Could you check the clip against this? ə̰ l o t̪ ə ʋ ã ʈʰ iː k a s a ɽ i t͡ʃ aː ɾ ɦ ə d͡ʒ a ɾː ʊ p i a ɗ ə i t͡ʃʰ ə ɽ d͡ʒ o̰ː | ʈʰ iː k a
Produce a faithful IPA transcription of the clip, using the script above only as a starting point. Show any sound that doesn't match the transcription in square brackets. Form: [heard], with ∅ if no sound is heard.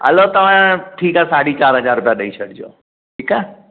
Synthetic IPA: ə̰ l o t̪ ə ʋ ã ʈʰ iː k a s a ɽ i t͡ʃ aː ɾ ɦ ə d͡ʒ a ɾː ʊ p [j] a ɗ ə i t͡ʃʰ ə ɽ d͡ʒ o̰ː | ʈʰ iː k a

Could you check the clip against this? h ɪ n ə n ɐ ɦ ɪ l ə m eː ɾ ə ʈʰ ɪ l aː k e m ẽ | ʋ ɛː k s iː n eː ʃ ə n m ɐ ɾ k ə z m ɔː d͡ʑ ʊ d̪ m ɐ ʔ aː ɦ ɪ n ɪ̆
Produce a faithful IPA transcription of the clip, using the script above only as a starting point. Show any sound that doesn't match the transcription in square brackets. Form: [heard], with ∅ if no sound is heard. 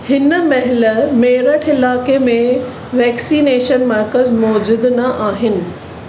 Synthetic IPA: h ɪ n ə [m] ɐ ɦ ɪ l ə m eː ɾ ə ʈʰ ɪ l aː k e m ẽ | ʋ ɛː k s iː n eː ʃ ə n m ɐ ɾ k ə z m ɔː d͡ʑ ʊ d̪ [n] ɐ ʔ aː ɦ ɪ n ɪ̆

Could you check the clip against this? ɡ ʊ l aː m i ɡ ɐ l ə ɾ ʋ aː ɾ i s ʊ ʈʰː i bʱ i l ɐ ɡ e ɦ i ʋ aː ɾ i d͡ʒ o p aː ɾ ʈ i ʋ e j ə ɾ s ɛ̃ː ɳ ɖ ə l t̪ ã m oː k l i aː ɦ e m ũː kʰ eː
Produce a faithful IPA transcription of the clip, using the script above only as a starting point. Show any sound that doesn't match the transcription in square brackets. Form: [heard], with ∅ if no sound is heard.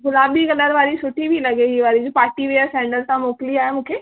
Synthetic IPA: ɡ ʊ l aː [b] i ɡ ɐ l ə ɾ ʋ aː ɾ i s ʊ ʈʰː i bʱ i l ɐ ɡ e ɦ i ʋ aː ɾ i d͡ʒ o p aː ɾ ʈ i ʋ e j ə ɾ s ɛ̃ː ɳ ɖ ə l t̪ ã m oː k l i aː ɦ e m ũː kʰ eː

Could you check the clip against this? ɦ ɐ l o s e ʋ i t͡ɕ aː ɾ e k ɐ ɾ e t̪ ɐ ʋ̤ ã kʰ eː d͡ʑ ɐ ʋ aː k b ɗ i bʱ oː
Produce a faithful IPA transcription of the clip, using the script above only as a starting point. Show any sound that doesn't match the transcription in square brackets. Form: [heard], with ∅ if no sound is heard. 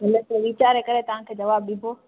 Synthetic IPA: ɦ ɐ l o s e ʋ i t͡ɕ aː ɾ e k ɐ ɾ e t̪ ɐ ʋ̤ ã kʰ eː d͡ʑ ɐ ʋ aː [∅] b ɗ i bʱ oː

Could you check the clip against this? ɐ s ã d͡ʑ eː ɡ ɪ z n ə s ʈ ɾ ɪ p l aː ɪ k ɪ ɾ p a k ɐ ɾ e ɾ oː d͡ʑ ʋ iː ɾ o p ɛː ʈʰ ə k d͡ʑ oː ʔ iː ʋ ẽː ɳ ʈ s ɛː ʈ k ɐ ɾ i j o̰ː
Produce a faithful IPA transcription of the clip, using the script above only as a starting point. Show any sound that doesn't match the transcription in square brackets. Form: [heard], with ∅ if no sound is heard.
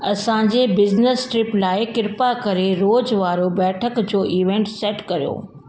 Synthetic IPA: ɐ s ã d͡ʑ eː [b] ɪ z n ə s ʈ ɾ ɪ p l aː ɪ k ɪ ɾ p a k ɐ ɾ e ɾ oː d͡ʑ ʋ [aː] ɾ o [b] ɛː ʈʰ ə k d͡ʑ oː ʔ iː ʋ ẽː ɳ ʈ s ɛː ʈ k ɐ ɾ i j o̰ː

